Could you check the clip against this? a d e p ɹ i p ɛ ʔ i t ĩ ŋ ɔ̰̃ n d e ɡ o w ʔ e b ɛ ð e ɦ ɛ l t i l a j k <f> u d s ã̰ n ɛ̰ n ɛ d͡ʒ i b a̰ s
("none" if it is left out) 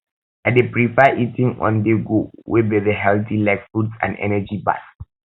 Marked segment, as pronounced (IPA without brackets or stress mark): f